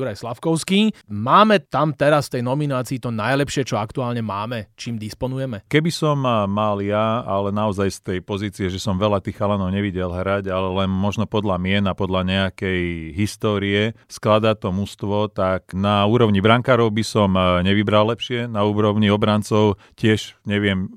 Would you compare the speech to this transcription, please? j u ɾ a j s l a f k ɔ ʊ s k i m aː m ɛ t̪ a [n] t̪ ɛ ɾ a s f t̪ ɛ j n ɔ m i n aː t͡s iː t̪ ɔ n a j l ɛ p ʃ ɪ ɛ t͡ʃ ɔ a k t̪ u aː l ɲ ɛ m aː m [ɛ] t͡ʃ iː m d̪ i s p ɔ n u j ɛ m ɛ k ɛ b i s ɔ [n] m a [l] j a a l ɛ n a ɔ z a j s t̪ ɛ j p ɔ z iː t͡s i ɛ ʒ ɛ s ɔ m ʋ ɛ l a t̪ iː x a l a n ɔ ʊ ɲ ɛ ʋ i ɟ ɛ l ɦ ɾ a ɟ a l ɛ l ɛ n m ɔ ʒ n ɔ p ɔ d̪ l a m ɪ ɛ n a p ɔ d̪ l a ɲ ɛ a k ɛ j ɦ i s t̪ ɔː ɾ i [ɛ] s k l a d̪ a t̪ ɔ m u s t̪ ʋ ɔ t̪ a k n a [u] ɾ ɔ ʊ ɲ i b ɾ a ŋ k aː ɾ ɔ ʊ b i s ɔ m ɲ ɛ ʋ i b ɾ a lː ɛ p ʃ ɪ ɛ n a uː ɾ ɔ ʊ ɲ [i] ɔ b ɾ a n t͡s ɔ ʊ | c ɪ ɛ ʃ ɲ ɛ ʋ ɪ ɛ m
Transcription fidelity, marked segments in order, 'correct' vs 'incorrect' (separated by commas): incorrect, correct, incorrect, correct, correct, incorrect, correct